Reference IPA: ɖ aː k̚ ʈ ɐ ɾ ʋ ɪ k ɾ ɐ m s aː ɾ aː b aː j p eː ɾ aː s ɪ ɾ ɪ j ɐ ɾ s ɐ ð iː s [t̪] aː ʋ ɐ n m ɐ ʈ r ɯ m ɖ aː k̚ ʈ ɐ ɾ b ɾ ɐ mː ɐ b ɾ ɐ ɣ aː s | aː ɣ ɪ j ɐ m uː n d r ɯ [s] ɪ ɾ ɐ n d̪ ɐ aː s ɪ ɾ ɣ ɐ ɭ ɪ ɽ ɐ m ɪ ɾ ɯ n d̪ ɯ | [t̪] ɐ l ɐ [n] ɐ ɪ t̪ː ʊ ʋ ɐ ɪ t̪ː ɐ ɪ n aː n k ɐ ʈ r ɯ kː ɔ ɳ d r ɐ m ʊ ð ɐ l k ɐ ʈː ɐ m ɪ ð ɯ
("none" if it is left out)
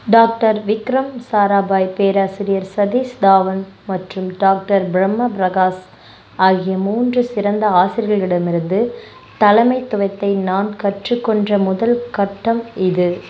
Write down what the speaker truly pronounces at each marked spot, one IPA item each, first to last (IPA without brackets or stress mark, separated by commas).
d̪, s, t̪, m